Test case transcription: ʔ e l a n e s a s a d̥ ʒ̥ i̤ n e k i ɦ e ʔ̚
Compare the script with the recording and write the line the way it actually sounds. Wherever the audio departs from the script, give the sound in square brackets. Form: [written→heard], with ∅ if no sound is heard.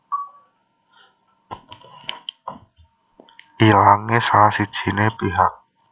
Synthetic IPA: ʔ [e→i] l a [n→ŋ] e s a s [a→i] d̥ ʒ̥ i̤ n e [k→p] i ɦ [e→a] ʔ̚